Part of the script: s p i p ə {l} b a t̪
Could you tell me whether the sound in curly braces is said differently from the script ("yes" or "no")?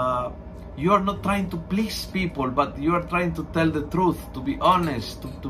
no